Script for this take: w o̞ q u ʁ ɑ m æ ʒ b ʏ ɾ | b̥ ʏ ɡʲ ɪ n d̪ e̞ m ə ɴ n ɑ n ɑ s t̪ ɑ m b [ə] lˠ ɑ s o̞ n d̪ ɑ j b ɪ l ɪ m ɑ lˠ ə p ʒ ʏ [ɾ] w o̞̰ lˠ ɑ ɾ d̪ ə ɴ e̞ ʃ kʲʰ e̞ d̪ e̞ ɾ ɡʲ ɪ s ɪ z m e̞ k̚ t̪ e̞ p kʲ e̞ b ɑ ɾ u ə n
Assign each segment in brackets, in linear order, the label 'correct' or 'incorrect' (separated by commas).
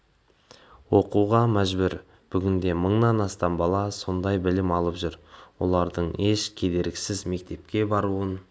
incorrect, correct